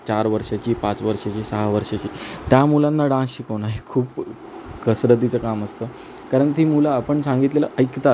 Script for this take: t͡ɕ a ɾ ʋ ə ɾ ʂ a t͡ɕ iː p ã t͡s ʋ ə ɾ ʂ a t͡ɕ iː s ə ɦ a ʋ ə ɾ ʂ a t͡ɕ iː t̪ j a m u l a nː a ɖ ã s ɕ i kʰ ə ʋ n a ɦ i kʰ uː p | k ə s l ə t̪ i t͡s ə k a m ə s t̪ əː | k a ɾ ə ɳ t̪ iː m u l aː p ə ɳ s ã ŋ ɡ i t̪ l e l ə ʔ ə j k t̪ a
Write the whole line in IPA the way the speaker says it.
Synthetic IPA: t͡ɕ a ɾ ʋ ə ɾ ʂ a t͡ɕ iː p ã t͡s ʋ ə ɾ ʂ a t͡ɕ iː s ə ɦ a ʋ ə ɾ ʂ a t͡ɕ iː t̪ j a m u l a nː a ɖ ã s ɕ i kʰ ə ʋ n a ɦ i kʰ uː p | k ə s ɾ ə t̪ i t͡s ə k a m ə s t̪ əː | k a ɾ ə ɳ t̪ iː m u l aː p ə ɳ s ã ŋ ɡ i t̪ l e l ə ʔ ə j k t̪ a